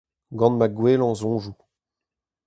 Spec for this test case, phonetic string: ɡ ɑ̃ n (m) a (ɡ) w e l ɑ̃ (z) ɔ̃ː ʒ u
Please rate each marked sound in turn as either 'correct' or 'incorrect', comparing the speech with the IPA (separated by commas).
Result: correct, correct, correct